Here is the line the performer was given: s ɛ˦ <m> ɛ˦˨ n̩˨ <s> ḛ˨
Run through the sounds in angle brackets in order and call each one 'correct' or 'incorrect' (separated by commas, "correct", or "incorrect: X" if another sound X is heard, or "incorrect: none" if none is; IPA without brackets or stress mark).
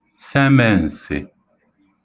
correct, correct